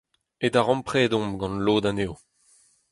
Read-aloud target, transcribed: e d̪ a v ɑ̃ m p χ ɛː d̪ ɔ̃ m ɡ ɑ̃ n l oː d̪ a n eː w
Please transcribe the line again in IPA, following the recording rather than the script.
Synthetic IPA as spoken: e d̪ a ʁ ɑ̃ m p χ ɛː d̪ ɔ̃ m ɡ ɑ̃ n l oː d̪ a n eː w